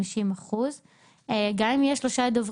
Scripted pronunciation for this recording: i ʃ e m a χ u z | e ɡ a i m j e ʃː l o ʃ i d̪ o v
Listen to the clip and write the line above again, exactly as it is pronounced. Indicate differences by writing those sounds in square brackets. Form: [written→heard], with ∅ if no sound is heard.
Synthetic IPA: i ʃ [e→i] m a χ u z | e ɡ a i m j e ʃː l o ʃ [i→a] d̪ o v